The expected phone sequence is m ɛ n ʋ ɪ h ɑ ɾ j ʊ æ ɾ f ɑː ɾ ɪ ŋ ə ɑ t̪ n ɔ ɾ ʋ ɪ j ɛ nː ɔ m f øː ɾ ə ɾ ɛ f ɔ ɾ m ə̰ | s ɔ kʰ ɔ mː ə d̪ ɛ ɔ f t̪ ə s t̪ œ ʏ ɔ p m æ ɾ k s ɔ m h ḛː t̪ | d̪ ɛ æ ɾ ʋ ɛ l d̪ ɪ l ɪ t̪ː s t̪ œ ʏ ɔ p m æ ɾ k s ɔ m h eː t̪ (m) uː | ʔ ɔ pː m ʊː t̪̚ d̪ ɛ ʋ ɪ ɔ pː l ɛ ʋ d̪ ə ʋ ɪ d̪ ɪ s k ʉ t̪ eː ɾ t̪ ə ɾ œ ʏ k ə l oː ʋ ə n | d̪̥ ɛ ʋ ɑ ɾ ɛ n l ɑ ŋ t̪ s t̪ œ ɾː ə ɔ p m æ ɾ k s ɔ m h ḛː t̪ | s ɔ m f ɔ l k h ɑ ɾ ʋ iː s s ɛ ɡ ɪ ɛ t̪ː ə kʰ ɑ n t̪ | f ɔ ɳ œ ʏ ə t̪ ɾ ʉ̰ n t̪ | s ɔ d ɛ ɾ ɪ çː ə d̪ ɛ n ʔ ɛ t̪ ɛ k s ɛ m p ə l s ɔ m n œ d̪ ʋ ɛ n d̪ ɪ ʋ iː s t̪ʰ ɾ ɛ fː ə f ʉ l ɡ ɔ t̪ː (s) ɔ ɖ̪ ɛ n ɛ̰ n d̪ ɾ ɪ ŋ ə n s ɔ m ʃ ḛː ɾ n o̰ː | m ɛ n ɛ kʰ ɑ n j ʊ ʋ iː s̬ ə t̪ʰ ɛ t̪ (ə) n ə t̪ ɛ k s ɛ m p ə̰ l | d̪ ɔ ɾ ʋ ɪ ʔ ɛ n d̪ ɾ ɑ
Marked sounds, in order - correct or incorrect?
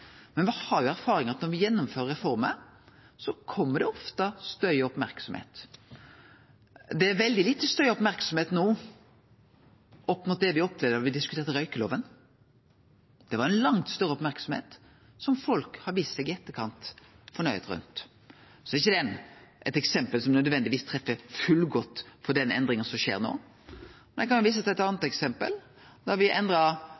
incorrect, incorrect, incorrect

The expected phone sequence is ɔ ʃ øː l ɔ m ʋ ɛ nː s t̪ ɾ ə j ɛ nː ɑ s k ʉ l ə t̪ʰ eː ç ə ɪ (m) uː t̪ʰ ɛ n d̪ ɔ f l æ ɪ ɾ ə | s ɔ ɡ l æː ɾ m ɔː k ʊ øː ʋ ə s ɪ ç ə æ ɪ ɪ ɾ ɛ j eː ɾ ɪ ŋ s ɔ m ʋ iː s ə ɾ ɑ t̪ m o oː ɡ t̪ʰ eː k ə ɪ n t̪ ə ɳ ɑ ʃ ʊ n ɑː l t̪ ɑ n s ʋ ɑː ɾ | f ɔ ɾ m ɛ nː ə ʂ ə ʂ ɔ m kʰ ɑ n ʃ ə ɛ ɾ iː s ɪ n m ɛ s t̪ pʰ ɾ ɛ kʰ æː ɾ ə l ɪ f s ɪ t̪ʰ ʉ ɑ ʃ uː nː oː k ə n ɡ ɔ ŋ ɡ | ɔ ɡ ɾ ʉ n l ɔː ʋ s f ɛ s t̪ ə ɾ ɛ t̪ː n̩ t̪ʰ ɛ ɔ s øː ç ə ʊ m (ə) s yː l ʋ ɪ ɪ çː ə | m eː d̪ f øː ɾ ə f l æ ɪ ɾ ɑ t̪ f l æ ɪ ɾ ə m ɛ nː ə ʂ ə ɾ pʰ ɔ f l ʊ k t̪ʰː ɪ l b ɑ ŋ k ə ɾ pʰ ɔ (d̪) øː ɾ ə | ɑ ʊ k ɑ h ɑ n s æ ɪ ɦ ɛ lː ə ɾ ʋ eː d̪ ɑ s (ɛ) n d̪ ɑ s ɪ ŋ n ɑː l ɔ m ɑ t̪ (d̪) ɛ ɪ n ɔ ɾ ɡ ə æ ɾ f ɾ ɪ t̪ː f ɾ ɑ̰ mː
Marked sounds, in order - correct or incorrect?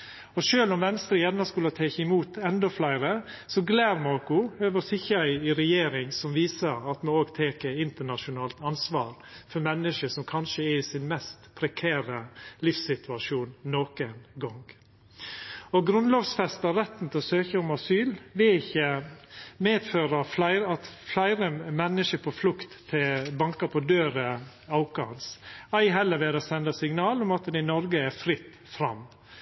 correct, incorrect, correct, correct, correct

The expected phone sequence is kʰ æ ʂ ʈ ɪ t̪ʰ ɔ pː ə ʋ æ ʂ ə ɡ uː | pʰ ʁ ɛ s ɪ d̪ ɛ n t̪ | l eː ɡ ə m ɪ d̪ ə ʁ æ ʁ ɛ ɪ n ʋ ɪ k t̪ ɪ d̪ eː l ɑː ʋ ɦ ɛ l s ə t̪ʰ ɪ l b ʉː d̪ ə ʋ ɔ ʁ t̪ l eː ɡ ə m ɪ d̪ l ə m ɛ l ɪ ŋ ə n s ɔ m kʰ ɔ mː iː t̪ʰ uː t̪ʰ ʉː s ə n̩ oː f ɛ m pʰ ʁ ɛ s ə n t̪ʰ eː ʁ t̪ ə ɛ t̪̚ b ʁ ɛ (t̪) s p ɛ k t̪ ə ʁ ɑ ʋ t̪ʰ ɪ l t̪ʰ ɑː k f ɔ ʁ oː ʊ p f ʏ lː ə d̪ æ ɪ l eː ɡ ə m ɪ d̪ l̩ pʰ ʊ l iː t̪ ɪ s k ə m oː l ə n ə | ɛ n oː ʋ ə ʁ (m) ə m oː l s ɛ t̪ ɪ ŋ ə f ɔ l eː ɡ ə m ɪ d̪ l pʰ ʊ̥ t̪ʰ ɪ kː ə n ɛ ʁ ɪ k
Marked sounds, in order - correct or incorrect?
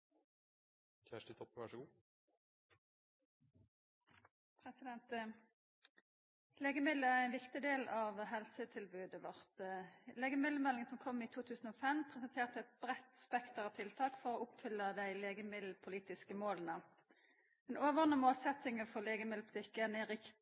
correct, incorrect

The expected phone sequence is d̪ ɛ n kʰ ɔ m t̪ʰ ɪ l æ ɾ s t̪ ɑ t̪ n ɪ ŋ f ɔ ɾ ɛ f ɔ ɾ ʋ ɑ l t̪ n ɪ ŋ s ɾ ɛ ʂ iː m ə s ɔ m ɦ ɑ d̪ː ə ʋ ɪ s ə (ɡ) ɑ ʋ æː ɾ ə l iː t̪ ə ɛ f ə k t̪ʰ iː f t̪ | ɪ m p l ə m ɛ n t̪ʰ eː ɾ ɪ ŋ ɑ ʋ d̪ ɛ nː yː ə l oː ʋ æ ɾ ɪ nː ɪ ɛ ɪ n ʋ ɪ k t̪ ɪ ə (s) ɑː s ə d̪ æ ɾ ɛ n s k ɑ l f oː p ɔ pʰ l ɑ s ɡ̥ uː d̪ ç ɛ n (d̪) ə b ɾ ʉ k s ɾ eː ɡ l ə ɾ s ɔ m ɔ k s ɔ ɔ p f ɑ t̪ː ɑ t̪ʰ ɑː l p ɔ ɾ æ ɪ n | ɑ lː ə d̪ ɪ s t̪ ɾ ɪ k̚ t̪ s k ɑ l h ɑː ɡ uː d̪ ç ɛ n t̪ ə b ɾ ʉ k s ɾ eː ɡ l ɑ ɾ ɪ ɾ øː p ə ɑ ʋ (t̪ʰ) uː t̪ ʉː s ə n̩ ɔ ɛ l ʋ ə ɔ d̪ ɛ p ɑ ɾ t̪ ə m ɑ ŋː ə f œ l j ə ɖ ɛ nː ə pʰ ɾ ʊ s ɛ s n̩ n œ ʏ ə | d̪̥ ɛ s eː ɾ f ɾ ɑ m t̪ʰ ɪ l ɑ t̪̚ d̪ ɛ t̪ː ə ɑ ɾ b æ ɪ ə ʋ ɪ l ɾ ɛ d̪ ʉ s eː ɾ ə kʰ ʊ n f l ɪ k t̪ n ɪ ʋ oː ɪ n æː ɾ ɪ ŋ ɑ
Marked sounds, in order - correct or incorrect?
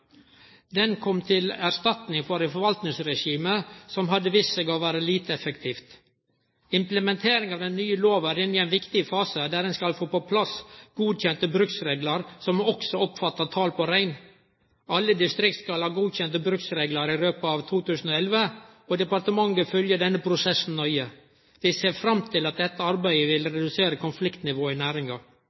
correct, incorrect, incorrect, correct

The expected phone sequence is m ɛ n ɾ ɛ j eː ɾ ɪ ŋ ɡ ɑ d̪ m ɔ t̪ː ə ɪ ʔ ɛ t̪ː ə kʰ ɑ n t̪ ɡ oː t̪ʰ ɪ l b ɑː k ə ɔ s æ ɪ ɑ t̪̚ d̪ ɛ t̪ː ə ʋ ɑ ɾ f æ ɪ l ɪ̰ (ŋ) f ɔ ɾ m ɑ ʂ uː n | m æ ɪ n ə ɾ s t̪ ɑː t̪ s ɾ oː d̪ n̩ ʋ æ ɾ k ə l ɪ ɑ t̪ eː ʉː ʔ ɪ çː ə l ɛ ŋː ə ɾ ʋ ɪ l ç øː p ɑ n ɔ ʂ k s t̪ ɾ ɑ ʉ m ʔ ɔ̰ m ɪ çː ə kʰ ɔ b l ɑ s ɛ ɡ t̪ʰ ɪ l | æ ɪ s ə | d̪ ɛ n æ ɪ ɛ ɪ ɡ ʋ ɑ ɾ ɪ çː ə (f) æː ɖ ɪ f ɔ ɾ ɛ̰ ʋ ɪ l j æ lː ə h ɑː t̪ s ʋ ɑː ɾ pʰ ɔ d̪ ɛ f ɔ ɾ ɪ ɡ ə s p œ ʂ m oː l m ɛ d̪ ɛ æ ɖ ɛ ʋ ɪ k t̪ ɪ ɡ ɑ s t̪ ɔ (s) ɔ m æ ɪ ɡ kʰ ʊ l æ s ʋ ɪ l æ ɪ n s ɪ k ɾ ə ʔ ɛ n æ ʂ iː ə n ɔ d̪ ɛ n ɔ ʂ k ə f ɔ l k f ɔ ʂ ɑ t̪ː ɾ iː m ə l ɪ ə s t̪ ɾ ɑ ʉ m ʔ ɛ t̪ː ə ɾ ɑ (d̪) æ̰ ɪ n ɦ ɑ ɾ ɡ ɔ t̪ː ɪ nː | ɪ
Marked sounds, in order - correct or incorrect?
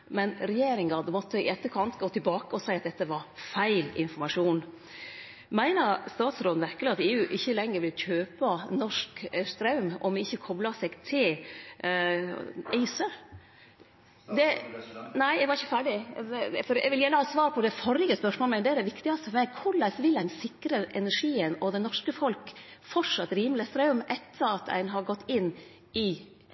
incorrect, correct, incorrect, incorrect

